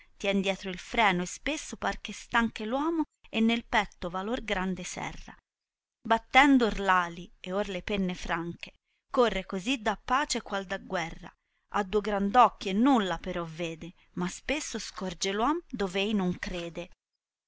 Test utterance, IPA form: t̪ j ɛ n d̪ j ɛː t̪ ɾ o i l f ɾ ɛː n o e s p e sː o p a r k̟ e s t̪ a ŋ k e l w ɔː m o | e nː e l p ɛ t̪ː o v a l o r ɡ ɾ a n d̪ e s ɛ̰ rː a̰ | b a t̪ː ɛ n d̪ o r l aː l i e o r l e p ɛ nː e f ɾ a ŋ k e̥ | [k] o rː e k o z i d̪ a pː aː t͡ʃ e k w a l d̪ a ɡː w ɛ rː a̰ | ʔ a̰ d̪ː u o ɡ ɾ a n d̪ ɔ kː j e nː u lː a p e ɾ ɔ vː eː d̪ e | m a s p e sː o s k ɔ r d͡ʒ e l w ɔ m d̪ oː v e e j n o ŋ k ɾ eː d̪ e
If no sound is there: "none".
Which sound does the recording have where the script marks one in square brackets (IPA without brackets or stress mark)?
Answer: k